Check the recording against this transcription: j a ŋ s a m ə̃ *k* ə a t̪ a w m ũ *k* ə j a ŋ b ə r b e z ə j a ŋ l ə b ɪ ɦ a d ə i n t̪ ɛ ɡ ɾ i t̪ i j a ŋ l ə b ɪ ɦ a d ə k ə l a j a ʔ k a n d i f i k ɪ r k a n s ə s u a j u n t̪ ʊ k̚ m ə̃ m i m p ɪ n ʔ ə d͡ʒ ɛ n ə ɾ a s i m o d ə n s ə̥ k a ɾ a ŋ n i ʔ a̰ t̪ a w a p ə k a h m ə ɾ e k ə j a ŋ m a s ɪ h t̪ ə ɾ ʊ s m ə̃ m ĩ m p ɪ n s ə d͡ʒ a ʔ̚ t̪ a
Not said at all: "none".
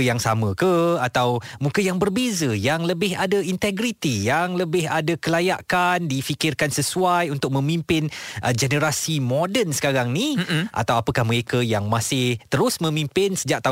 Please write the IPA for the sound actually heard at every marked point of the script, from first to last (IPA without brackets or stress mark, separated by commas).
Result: k, k